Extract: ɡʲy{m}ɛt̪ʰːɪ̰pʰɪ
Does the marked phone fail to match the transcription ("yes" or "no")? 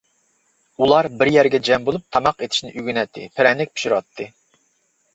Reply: yes